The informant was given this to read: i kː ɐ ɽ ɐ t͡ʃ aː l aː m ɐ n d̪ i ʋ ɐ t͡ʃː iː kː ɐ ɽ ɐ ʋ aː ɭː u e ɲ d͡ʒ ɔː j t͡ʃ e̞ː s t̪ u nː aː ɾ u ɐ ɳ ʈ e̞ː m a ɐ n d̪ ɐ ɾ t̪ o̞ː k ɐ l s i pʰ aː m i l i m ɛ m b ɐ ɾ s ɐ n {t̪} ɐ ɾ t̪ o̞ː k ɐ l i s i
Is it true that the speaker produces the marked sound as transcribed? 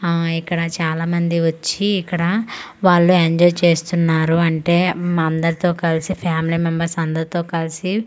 no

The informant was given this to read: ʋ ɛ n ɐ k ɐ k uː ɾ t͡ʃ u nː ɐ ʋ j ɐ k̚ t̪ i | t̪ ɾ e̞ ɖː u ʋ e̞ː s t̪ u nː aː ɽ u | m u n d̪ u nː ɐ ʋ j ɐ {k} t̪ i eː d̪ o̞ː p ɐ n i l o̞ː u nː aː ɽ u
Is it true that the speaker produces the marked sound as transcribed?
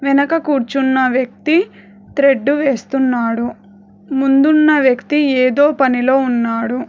yes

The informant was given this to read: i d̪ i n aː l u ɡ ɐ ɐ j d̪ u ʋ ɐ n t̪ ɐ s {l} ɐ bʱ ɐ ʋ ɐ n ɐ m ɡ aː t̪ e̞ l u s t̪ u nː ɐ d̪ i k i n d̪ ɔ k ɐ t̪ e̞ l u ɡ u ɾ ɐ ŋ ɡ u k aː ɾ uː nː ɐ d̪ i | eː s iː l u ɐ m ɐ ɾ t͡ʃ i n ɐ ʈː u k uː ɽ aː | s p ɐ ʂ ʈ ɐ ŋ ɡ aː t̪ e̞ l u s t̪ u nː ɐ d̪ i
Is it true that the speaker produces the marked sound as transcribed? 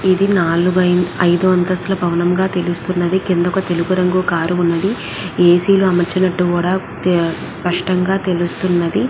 yes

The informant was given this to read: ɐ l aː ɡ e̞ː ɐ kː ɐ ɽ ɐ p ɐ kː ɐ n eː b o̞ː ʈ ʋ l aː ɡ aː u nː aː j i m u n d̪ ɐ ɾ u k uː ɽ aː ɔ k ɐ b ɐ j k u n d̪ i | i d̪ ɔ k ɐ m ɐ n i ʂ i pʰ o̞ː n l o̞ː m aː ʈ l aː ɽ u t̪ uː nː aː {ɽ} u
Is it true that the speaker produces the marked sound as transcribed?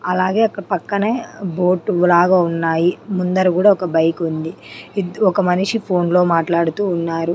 no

